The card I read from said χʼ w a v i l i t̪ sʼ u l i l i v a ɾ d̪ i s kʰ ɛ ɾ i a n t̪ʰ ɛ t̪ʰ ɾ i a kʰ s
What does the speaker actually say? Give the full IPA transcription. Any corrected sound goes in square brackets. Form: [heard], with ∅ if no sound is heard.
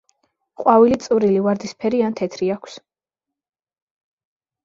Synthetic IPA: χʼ w a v i l i t̪ sʼ u [ɾ] i l i v a ɾ d̪ i s [pʰ] ɛ ɾ i a n t̪ʰ ɛ t̪ʰ ɾ i a kʰ s